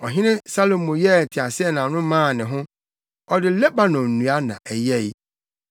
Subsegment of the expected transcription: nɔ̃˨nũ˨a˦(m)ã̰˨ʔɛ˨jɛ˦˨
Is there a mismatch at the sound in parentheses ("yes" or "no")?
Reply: yes